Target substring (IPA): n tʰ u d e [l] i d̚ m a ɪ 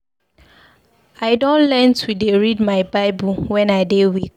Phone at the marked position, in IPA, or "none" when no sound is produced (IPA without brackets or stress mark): ɹ